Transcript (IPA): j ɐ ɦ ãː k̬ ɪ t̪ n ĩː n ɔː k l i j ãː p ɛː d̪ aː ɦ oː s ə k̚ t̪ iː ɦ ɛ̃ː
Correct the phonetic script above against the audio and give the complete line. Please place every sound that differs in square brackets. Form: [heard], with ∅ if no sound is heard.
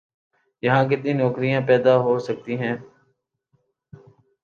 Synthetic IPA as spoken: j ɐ ɦ ãː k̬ ɪ t̪ n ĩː n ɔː k [ɾ] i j ãː p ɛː d̪ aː ɦ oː s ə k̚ t̪ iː ɦ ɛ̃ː